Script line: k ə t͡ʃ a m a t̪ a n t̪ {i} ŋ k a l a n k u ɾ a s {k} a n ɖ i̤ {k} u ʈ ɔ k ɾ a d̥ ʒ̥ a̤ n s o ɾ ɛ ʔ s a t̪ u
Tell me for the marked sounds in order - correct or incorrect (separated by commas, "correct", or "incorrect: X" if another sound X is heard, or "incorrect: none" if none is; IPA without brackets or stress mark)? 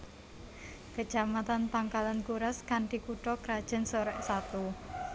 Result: incorrect: a, correct, correct